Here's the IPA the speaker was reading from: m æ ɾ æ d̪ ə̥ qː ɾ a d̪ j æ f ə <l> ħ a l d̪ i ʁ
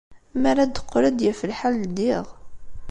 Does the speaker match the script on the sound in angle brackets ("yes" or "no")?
yes